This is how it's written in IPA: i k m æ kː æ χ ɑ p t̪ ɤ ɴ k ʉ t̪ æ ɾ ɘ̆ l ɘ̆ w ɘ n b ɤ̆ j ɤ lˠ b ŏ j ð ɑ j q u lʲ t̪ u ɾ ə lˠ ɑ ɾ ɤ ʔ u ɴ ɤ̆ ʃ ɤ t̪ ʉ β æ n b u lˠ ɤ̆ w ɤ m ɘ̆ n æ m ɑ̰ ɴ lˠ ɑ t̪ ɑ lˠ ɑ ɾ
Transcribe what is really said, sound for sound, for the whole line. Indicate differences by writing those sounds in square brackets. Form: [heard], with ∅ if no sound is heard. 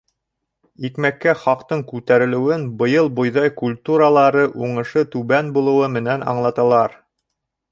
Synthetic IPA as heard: i k m æ kː æ χ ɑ [q] t̪ ɤ ɴ k ʉ t̪ æ ɾ ɘ̆ l ɘ̆ w ɘ n b ɤ̆ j ɤ lˠ b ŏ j ð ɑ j [k] u lʲ t̪ u ɾ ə lˠ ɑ ɾ ɤ ʔ u ɴ ɤ̆ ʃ ɤ t̪ ʉ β æ n b u lˠ ɤ̆ w ɤ m ɘ̆ n æ [n] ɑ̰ ɴ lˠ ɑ t̪ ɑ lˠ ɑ ɾ

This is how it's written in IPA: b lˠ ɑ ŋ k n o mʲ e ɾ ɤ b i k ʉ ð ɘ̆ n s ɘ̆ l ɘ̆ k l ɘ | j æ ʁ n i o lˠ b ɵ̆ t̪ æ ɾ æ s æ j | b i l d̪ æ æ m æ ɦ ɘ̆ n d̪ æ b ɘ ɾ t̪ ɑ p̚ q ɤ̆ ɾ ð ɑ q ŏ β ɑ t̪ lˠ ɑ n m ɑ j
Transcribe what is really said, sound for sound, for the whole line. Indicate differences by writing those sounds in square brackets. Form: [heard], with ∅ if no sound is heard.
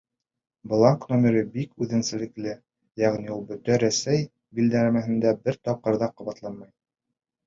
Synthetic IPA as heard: b lˠ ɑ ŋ k n o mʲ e ɾ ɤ b i k ʉ ð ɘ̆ n s ɘ̆ l ɘ̆ k l ɘ | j æ ʁ n i [u] lˠ b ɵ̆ t̪ æ ɾ æ s æ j | b i l d̪ æ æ m æ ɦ ɘ̆ n d̪ æ b ɘ ɾ t̪ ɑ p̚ q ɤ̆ ɾ ð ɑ q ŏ β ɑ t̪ lˠ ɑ n m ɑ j

